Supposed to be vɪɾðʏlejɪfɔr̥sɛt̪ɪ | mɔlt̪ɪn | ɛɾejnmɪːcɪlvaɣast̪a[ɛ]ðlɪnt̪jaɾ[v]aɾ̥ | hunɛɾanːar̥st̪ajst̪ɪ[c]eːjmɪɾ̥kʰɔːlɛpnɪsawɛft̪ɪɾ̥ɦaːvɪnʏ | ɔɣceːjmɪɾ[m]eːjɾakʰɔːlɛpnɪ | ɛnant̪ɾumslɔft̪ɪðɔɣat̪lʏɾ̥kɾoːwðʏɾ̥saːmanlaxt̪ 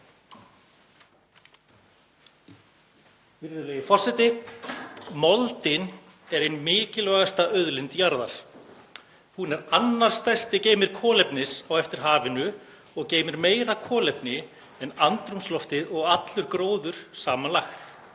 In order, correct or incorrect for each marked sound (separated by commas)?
incorrect, incorrect, correct, correct